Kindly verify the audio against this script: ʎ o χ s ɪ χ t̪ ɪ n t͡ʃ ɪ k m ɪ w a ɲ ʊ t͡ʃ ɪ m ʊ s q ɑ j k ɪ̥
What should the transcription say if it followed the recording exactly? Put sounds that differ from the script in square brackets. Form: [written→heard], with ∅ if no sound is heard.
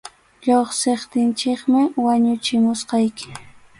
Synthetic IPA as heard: ʎ o χ s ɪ χ t̪ ɪ n t͡ʃ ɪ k m ɪ w a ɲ ʊ t͡ʃ ɪ m ʊ s q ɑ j k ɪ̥